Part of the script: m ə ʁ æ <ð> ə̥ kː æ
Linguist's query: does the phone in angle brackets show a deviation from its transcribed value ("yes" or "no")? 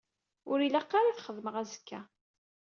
yes